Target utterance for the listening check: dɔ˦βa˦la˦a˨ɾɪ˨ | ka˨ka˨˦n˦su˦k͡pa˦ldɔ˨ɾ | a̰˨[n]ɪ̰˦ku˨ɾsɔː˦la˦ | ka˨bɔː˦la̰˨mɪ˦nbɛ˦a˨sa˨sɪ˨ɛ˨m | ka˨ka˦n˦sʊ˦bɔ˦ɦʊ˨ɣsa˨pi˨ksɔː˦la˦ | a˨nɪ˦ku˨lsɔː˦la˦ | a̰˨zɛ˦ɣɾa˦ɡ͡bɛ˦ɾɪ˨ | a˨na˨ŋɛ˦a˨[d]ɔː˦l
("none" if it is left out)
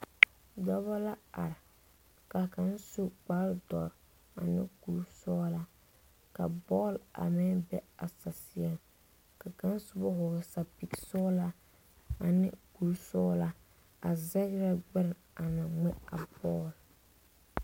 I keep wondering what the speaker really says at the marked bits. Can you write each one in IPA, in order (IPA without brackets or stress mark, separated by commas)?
n, b